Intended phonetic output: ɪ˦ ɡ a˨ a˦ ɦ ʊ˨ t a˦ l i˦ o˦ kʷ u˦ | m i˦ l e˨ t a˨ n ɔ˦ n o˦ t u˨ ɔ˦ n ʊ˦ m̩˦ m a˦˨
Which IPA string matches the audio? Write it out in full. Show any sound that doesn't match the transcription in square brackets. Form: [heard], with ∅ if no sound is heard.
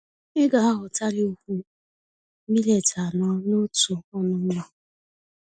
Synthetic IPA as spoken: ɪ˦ ɡ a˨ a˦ ɦ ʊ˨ t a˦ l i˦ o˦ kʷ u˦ | m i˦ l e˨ t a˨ n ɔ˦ n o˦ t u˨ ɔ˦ n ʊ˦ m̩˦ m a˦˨

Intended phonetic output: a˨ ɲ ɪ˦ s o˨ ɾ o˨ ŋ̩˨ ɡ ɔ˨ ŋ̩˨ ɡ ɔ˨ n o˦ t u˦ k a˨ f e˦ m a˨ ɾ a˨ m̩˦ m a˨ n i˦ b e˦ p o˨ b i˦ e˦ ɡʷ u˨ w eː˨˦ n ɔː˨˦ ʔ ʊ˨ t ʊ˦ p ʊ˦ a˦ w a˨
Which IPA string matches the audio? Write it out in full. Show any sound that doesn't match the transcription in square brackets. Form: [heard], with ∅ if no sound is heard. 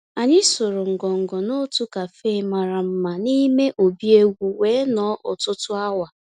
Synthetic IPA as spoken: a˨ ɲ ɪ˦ s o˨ ɾ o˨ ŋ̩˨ ɡ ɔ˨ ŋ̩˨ ɡ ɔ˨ n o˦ t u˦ k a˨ f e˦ m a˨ ɾ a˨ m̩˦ m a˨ n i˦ [m] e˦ [ʔ] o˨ b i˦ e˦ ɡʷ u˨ w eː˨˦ n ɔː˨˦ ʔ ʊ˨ t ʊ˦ [t] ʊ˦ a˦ w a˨

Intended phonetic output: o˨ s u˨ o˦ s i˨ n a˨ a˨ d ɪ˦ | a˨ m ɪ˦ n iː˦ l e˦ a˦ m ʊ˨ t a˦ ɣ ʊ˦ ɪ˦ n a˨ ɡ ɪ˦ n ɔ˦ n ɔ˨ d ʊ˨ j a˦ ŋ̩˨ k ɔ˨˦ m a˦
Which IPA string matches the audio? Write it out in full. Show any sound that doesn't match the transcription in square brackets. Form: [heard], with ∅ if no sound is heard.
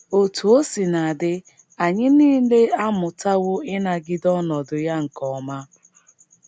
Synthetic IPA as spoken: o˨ [t] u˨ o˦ s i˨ n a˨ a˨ d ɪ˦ | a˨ [ɲ] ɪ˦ n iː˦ l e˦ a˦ m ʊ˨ t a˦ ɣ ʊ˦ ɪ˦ n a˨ ɡ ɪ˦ [d] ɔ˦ n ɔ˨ d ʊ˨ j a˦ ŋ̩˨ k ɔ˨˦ m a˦

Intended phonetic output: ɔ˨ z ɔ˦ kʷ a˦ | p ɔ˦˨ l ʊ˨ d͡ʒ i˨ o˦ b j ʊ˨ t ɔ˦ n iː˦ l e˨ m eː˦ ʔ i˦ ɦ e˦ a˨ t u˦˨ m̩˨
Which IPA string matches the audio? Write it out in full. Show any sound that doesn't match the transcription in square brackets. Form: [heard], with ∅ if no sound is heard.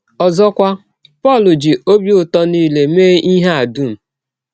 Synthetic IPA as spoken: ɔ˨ z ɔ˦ kʷ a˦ | p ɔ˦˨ l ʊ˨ d͡ʒ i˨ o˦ b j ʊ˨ t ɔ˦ n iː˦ l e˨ m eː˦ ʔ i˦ ɦ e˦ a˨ [d] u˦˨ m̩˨

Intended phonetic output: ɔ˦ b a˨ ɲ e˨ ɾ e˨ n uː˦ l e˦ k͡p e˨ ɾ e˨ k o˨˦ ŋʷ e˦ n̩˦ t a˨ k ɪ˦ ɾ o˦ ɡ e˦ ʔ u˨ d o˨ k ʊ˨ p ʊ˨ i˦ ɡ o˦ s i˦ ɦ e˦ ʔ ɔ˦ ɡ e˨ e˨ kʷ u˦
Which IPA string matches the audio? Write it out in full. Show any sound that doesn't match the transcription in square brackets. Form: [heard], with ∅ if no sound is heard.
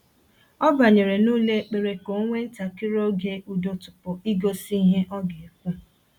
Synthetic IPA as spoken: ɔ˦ b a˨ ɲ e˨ ɾ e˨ n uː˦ l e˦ k͡p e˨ ɾ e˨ k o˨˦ ŋʷ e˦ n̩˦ t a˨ k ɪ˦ ɾ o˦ ɡ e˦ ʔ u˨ d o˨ [t] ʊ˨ p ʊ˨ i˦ ɡ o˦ s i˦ ɦ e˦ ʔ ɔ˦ ɡ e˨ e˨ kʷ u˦

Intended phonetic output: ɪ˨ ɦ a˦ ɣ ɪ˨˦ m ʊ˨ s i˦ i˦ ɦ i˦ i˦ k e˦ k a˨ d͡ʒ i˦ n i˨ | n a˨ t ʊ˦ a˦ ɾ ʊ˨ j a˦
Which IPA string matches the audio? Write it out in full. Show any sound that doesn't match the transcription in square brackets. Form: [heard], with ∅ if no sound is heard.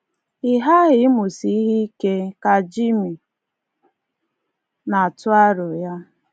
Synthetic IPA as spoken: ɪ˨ ɦ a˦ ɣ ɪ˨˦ m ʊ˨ s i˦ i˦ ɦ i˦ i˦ k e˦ k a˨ d͡ʒ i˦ [m] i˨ | n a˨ t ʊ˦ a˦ ɾ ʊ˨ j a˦

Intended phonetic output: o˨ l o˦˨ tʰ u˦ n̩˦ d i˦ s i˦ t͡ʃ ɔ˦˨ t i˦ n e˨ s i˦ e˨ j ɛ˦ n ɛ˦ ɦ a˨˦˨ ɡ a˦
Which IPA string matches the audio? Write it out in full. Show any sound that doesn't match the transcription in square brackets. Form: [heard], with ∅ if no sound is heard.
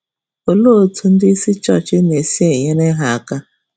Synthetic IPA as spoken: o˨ l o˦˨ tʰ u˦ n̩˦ d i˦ s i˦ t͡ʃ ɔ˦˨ [t͡ʃ] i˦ n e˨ s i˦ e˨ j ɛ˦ n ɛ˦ ɦ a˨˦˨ [k] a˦

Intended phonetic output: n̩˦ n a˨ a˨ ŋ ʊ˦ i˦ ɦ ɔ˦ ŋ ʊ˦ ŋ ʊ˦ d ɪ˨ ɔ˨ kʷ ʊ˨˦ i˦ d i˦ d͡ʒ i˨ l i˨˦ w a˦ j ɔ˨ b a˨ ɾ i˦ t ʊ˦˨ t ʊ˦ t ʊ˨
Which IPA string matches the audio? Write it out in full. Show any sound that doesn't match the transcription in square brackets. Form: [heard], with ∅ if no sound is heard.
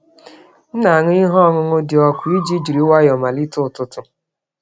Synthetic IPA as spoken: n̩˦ n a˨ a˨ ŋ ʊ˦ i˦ ɦ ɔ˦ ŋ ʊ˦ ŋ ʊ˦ d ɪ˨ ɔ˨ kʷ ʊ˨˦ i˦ [d͡ʒ] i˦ d͡ʒ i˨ [ɾ] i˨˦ w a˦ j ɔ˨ [m] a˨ [l] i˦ t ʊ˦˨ t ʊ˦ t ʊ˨

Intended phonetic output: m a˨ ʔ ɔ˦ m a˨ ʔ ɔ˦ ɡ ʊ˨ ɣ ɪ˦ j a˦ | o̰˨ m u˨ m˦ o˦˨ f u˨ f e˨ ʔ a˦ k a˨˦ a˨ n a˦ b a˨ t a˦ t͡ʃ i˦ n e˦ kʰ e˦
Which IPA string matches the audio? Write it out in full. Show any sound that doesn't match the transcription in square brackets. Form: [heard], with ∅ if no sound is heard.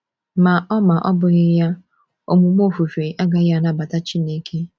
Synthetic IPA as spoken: m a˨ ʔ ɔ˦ m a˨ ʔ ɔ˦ [b] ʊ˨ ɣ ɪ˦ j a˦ | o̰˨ m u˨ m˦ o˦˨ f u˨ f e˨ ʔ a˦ [ɡ] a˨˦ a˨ n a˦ b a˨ t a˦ t͡ʃ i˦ n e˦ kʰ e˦

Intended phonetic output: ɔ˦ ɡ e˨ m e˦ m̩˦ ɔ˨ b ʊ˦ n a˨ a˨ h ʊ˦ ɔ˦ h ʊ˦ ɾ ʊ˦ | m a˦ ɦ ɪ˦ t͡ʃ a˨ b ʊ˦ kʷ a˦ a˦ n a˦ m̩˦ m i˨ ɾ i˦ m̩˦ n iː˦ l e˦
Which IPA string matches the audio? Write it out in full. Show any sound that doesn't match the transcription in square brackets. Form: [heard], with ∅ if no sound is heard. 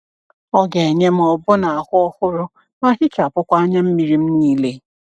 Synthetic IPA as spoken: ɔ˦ ɡ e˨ [ɲ] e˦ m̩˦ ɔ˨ b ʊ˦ n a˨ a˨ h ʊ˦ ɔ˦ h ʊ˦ ɾ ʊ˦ | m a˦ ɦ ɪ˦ t͡ʃ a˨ [p] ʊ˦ kʷ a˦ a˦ [ɲ] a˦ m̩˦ m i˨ ɾ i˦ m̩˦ n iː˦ l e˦

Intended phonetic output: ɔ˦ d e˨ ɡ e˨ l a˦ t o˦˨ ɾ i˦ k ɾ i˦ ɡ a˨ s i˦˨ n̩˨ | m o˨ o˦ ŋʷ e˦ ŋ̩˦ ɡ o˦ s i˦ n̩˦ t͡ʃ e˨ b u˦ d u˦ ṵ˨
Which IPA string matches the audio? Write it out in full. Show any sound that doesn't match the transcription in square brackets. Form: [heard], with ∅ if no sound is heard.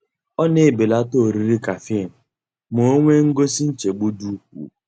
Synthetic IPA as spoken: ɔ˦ [n] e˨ [b] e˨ l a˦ t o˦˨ ɾ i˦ [∅] ɾ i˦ [k] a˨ [f] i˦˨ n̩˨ | m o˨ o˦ ŋʷ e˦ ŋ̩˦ ɡ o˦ s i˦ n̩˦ t͡ʃ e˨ [ɡ͡b] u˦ d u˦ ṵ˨

